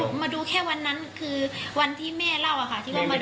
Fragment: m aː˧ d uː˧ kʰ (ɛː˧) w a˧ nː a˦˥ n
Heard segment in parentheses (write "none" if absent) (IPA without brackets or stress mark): ɛː˥˩